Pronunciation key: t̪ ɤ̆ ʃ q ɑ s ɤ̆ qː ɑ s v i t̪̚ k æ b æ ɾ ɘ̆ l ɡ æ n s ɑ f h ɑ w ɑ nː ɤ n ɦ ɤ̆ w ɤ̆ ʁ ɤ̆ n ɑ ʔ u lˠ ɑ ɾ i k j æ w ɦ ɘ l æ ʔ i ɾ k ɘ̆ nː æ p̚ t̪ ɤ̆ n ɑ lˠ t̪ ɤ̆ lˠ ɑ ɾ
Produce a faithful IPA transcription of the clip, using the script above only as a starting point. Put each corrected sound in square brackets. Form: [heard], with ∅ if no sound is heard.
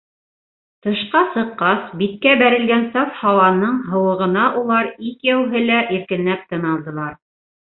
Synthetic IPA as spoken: t̪ ɤ̆ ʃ q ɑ s ɤ̆ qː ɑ s [b] i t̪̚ k æ b æ ɾ ɘ̆ l ɡ æ n s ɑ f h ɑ w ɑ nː ɤ [ɴ] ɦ ɤ̆ w ɤ̆ ʁ ɤ̆ n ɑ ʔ u lˠ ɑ ɾ i k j æ w ɦ ɘ l æ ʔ i ɾ k ɘ̆ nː æ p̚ t̪ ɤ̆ n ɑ lˠ [d̪] ɤ̆ lˠ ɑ ɾ